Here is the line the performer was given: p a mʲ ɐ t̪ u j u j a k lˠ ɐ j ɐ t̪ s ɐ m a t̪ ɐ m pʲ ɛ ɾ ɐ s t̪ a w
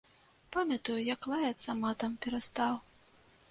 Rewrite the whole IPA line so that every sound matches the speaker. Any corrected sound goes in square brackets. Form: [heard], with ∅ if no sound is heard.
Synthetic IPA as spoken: p a mʲ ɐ t̪ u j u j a k lˠ [a] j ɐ t̪ s ɐ m a t̪ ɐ m pʲ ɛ ɾ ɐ s t̪ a w